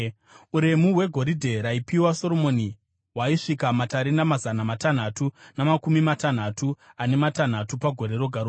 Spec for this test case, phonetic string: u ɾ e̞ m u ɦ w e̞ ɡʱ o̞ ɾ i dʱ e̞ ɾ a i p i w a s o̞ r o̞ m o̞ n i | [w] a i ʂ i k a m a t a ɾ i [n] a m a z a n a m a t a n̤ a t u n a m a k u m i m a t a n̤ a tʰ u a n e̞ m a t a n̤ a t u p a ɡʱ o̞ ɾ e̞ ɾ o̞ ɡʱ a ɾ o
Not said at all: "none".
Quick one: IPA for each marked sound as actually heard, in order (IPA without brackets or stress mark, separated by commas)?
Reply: w, n